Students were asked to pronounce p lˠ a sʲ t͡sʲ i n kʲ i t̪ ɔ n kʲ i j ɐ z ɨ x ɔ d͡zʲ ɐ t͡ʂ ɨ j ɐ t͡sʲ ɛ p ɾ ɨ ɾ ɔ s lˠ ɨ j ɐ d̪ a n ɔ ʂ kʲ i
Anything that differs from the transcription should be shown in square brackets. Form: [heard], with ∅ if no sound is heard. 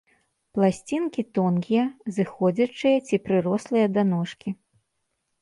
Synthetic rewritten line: p lˠ a sʲ t͡sʲ i n kʲ i t̪ ɔ n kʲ i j ɐ z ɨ x ɔ d͡zʲ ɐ t͡ʂ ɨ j ɐ t͡sʲ [i] p ɾ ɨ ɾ ɔ s lˠ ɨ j ɐ d̪ a n ɔ ʂ kʲ i